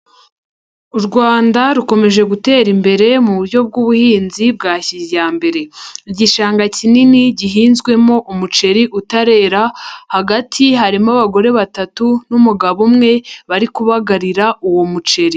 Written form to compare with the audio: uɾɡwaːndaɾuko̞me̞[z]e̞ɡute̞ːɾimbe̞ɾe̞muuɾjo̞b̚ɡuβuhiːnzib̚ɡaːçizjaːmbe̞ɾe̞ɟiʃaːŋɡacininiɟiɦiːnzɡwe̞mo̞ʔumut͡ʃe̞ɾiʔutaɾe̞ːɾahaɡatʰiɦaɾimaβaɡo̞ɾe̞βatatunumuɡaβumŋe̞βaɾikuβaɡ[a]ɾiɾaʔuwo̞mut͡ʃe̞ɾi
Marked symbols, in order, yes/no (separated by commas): no, yes